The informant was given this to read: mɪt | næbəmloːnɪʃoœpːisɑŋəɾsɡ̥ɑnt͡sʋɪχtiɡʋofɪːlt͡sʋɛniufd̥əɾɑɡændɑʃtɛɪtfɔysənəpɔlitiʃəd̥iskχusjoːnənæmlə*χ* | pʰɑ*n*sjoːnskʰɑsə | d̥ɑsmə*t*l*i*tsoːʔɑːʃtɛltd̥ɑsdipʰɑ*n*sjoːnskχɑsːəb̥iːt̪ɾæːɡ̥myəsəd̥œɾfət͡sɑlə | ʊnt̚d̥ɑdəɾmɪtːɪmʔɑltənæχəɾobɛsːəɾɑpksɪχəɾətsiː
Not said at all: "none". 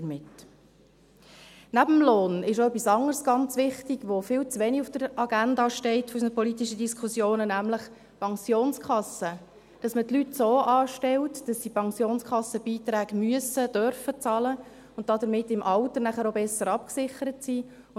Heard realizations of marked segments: χ, ŋ, t, y, ŋ

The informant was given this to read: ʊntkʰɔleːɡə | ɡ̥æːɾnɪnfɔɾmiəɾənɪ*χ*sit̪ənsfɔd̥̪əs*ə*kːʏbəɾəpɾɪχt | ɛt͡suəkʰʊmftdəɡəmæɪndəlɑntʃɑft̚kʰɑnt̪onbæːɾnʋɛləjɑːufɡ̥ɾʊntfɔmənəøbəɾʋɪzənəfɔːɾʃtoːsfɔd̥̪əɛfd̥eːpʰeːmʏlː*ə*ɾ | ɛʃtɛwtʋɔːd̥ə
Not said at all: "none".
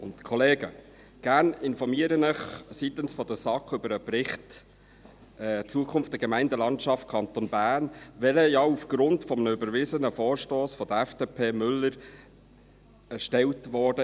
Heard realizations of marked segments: χ, ɑ, ə

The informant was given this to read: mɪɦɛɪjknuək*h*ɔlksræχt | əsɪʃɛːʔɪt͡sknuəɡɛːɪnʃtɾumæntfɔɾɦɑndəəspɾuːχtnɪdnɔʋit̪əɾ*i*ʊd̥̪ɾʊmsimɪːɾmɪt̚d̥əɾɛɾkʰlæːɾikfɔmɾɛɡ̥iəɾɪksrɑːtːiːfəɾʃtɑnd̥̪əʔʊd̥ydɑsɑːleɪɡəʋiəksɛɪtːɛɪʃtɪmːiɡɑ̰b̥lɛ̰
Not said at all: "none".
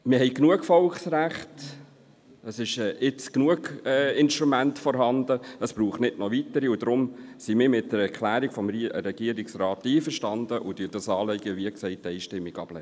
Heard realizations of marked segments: f, i

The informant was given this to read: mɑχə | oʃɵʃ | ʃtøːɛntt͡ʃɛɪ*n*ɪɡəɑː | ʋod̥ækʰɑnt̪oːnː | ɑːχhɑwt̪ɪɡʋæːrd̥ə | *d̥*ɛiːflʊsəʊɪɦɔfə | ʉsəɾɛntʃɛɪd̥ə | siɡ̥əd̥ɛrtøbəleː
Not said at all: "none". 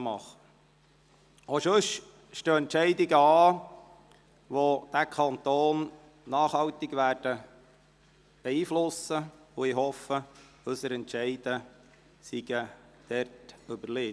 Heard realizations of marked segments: d, b̥

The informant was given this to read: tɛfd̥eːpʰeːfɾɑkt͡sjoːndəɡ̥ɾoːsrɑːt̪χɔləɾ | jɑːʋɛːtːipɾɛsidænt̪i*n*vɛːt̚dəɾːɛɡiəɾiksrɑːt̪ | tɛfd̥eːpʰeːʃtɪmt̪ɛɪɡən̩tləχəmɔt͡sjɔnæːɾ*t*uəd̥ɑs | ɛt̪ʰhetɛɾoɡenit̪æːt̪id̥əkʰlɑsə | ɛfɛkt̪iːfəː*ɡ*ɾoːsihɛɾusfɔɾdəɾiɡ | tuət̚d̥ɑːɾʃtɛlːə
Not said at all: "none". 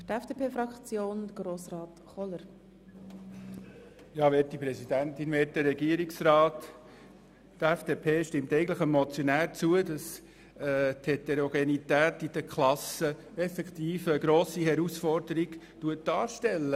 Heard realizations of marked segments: n, t͡s, ɡ

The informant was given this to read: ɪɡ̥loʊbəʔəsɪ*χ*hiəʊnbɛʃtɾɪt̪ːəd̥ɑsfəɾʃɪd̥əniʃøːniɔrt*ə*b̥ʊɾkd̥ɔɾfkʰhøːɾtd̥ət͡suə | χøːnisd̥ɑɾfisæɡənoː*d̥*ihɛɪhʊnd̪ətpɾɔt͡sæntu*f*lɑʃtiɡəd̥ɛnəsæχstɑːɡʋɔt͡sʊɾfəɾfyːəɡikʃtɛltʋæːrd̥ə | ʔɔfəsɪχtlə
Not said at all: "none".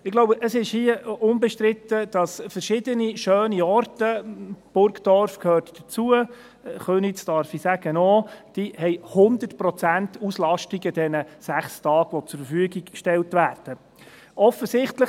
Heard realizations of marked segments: ʃ, ə, d̥, s

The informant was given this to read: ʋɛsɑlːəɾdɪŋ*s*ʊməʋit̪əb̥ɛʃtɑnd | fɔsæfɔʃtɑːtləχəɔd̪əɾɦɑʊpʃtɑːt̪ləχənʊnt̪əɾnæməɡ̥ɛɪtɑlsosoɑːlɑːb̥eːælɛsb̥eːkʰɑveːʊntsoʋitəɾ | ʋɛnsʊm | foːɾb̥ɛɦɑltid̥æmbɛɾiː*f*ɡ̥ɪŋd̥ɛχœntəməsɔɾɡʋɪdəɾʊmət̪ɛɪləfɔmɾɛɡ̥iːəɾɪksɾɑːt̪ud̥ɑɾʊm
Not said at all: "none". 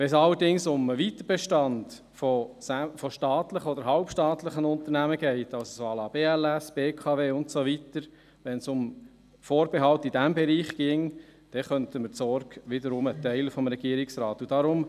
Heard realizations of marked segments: s, χ

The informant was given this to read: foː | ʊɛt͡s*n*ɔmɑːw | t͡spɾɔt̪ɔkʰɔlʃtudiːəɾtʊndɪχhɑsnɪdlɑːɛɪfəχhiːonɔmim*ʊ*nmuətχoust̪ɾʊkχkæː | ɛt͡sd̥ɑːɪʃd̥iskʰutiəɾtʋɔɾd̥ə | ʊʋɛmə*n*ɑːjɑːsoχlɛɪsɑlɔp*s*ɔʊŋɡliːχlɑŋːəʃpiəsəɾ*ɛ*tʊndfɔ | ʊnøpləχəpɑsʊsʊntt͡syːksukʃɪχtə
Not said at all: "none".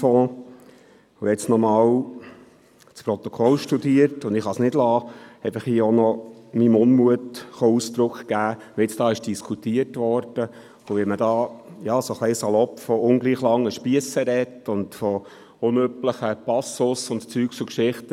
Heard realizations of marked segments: n, ʊ, d, f, ɛ

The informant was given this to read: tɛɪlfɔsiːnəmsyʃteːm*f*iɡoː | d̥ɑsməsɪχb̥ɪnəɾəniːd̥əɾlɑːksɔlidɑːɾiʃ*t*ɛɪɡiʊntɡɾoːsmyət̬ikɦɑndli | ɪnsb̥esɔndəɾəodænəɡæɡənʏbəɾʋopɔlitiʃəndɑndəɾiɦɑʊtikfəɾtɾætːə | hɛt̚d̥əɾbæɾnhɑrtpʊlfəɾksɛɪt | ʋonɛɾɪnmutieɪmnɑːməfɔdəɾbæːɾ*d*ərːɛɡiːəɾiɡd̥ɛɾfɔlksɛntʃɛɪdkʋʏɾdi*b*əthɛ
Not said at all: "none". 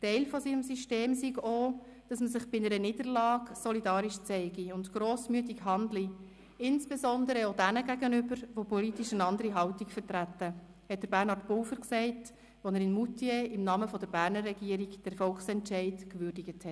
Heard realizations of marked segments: s, t͡s, n, ɡ

